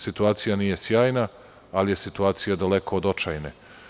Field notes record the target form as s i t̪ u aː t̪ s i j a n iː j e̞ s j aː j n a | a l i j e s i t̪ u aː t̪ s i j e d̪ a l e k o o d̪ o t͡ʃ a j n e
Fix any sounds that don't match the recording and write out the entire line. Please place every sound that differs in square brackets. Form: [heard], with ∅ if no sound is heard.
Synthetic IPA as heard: s i t̪ u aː t̪ s i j a n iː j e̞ s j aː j n a | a l i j e s i t̪ u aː t̪ s i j [a] d̪ a l e k o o d̪ o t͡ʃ a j n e